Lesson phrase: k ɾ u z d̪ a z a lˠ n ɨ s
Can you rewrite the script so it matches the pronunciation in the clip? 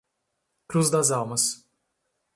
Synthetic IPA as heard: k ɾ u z d̪ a z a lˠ m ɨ s